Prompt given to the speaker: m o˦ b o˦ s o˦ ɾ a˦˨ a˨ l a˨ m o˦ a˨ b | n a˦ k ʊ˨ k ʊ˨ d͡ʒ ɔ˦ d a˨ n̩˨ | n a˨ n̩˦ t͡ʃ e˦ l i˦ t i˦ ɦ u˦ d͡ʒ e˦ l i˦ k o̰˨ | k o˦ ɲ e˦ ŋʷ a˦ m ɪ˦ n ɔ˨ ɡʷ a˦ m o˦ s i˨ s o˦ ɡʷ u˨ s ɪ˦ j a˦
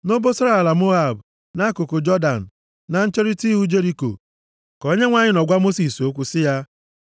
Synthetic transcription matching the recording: n o˦ b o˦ s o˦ ɾ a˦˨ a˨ l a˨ m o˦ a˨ b | n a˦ k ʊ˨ k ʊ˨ d͡ʒ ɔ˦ d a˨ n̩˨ | n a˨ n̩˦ t͡ʃ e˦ ɾ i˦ t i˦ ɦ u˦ d͡ʒ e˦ ɾ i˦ k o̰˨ | k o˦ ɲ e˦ ŋʷ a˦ ɲ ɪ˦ n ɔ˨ ɡʷ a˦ m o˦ s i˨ s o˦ kʷ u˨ s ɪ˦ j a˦